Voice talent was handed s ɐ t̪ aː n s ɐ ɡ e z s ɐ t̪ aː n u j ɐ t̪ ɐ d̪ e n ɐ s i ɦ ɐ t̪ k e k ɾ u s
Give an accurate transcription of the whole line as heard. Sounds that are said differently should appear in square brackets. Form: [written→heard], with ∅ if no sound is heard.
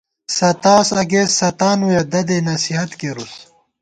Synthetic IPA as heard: s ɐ t̪ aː [n→∅] s ɐ ɡ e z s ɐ t̪ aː n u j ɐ [t̪→d̪] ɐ d̪ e n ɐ s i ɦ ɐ t̪ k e [k→∅] ɾ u s